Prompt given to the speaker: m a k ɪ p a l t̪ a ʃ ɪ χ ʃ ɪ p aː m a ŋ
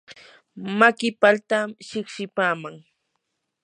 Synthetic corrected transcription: m a k ɪ p a l t̪ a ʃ ɪ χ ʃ ɪ p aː m a ŋ